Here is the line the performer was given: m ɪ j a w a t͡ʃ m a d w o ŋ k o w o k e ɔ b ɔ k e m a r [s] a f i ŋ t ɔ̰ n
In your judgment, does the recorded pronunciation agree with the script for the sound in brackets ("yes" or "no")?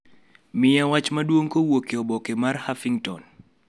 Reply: no